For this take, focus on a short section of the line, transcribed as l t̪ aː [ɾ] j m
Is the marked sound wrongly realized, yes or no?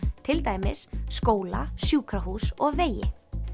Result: yes